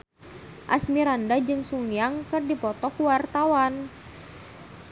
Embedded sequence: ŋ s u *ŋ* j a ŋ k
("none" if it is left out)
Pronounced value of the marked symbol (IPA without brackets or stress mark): ŋ